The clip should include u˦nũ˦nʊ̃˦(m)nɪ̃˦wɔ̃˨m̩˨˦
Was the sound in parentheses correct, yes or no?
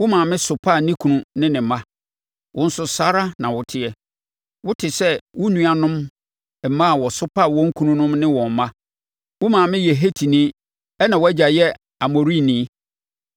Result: yes